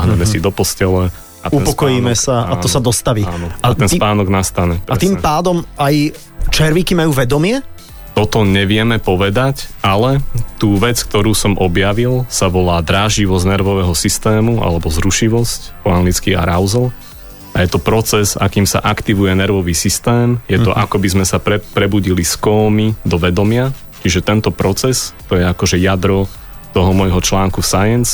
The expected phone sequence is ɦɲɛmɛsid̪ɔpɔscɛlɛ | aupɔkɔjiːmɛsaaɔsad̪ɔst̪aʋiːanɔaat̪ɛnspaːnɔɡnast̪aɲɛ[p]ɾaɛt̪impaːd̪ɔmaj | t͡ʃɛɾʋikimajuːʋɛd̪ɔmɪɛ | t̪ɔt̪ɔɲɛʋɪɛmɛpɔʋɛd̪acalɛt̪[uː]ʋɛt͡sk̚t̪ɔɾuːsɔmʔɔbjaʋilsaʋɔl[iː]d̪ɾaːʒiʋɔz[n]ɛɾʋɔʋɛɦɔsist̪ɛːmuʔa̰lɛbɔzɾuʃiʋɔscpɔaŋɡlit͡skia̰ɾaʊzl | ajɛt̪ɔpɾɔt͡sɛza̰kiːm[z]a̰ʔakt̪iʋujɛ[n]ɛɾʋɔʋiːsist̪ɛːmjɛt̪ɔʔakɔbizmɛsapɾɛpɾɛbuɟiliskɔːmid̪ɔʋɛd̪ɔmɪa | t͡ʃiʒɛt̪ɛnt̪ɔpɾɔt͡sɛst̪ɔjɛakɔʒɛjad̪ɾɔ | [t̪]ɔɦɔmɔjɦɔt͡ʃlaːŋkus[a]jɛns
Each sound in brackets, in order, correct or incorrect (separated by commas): correct, correct, incorrect, correct, incorrect, correct, correct, correct